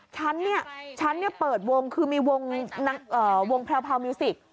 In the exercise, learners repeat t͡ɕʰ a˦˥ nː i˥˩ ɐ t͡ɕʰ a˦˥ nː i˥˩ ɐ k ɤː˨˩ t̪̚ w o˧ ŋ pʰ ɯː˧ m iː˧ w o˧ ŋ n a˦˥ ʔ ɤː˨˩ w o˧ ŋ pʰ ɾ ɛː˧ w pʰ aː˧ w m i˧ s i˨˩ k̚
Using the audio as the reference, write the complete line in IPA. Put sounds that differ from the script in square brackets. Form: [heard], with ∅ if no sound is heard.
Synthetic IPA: t͡ɕʰ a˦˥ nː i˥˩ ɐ t͡ɕʰ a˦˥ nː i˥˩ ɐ [p] ɤː˨˩ t̪̚ w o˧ ŋ [kʰ] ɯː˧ m iː˧ w o˧ ŋ n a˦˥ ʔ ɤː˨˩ w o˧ ŋ pʰ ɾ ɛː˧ w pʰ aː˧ w m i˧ s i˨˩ k̚